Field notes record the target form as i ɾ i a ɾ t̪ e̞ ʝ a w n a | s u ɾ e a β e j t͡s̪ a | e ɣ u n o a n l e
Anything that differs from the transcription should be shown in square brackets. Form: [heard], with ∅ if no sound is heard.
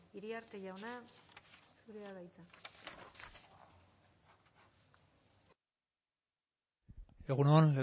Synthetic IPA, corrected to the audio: i ɾ i a ɾ t̪ e̞ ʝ a w n a | s u ɾ e a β [a] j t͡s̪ a | e ɣ u n o a n l e